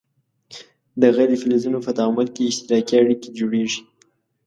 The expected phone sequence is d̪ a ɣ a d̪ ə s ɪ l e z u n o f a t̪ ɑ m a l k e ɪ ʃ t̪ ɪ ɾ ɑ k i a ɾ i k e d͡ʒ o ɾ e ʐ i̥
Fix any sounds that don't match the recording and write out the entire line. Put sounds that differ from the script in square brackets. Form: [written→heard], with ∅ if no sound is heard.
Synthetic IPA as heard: d̪ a ɣ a d̪ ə [s→f] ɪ l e z u n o f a t̪ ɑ m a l k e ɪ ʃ t̪ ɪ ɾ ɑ k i a [ɾ→ɽ] i k e d͡ʒ o [ɾ→ɽ] e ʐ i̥